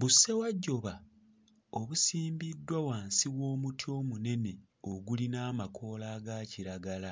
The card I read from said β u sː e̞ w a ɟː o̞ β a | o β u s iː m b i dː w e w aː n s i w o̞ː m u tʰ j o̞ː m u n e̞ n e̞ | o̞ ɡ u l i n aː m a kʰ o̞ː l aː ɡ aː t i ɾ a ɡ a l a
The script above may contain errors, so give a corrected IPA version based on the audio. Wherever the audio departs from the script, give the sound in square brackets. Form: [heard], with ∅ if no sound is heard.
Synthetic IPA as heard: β u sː e̞ w a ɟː o̞ β a | o β u s iː m b i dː w [a] w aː n s i w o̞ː m u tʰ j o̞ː m u n e̞ n e̞ | o̞ ɡ u l i n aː m a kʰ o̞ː l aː ɡ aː [c] i ɾ a ɡ a l a